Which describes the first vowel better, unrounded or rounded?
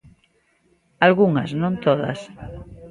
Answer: unrounded